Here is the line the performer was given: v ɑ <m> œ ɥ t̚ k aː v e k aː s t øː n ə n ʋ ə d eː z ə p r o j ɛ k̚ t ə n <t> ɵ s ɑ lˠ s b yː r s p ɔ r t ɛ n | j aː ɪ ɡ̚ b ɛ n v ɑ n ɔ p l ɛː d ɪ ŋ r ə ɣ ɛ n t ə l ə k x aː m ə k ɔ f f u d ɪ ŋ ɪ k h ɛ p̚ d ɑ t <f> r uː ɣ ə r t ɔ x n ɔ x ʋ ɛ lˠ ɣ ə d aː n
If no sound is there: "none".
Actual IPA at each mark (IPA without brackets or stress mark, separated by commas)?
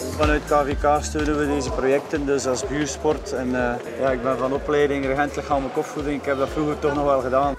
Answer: n, d, f